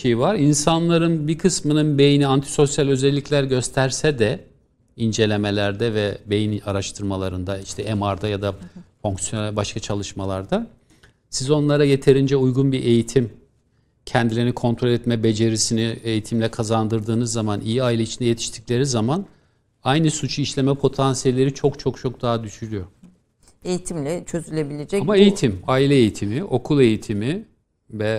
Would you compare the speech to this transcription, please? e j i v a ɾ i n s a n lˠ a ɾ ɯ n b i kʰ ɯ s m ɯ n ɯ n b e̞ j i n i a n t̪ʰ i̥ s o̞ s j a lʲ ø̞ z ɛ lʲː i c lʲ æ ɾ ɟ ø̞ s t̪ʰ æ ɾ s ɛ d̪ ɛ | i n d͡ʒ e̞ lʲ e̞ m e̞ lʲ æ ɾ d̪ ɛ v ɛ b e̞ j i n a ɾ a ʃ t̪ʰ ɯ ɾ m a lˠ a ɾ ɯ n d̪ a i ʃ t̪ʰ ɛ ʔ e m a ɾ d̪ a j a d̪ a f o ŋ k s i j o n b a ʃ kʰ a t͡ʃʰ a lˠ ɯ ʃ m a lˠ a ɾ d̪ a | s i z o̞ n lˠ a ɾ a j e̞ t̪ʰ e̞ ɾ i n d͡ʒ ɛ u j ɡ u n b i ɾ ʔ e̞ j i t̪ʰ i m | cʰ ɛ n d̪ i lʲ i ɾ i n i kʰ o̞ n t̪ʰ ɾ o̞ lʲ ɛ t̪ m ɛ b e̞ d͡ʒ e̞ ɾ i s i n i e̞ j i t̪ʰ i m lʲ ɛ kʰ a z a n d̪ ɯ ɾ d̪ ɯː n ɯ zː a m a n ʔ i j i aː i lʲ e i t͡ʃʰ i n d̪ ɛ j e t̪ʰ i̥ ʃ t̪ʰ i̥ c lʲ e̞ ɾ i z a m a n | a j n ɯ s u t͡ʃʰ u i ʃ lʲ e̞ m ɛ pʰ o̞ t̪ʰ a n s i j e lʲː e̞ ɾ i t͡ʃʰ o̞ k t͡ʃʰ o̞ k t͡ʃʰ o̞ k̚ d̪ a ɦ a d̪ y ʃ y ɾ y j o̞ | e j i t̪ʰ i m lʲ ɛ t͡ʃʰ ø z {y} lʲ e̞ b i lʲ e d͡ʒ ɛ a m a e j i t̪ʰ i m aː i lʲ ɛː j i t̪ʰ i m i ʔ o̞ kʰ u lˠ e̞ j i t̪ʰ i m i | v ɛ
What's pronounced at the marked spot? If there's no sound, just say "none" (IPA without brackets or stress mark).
y